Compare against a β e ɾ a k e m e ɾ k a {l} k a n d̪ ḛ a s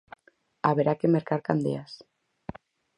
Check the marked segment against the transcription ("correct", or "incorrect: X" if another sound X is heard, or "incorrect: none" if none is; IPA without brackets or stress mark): incorrect: ɾ